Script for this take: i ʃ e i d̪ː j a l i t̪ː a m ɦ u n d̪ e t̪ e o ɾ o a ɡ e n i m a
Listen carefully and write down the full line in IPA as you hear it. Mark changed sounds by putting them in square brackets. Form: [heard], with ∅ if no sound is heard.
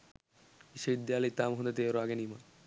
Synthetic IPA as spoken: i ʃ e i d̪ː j a l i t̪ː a m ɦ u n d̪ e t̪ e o ɾ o a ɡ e n i m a